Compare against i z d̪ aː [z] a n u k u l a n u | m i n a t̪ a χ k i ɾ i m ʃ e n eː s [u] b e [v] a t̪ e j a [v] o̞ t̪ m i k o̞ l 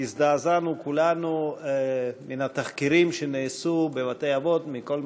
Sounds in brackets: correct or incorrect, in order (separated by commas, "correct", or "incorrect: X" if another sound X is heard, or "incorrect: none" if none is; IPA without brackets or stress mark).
correct, correct, correct, correct